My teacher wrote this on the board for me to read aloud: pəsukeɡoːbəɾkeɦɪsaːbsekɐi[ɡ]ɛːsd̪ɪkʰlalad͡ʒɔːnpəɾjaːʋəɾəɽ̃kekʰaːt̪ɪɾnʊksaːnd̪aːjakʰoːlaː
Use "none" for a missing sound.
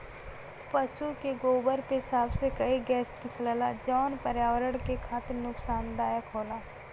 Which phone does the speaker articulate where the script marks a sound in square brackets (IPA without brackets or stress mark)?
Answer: ɡ